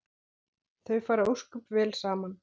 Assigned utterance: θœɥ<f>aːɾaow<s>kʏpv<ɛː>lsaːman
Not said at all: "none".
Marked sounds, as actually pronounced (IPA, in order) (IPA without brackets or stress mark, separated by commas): f, s, ɛː